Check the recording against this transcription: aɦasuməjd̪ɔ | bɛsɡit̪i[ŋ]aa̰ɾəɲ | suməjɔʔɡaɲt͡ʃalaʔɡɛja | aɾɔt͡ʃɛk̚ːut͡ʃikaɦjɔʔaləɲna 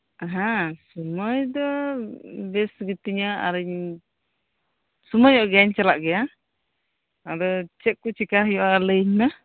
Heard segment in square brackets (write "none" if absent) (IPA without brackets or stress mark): ɲ